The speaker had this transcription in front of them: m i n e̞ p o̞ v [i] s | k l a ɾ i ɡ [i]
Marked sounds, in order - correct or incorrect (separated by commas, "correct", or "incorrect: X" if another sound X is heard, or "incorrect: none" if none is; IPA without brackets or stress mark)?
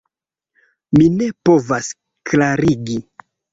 incorrect: a, correct